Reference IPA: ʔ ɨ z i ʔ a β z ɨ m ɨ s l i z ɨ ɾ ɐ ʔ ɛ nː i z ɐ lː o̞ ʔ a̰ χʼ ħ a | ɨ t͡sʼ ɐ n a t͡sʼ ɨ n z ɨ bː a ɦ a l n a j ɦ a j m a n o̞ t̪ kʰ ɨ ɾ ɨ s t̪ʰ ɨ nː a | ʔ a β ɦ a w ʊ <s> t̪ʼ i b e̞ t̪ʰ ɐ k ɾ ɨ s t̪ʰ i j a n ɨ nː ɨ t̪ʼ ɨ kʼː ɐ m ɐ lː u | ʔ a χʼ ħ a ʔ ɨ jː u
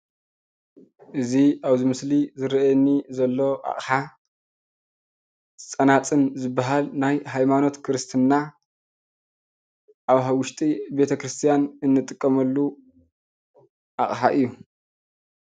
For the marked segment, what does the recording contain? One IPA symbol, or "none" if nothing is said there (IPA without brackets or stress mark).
ʃ